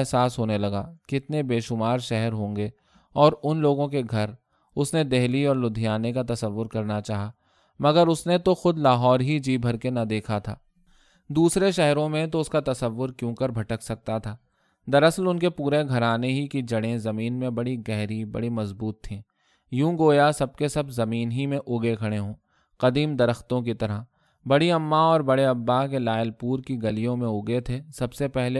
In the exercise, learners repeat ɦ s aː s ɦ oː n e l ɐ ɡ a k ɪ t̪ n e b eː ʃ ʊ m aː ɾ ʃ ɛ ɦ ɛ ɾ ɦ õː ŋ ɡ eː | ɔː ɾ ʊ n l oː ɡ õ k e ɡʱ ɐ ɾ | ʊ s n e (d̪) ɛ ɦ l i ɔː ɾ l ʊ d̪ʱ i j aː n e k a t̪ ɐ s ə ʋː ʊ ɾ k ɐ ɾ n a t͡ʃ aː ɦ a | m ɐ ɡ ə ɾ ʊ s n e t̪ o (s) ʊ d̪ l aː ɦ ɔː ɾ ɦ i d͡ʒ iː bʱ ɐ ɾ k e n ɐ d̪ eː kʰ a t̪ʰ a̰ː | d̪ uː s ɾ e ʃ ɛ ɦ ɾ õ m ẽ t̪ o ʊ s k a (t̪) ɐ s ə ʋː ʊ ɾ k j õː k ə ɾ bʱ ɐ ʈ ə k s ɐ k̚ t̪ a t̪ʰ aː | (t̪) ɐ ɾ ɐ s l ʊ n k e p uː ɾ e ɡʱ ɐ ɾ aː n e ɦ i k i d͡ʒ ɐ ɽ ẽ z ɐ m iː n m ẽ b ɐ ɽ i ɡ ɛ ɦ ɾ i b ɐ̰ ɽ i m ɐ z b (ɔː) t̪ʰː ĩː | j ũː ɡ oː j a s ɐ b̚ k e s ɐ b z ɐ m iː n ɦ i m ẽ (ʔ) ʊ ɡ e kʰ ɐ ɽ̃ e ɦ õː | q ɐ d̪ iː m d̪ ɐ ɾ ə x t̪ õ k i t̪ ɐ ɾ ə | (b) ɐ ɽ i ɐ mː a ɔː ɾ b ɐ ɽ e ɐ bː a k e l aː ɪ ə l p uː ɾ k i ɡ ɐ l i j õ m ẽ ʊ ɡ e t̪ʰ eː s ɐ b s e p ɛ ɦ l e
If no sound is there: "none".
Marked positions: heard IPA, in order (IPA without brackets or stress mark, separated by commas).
d̪, x, t̪, d̪, uː, ʔ, b